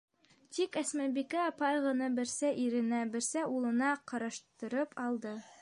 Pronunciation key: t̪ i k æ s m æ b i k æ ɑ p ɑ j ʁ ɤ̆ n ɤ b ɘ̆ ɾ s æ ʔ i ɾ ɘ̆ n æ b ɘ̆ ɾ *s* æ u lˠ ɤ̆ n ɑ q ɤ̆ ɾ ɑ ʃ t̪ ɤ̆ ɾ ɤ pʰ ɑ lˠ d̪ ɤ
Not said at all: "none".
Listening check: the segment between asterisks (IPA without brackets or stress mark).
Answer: s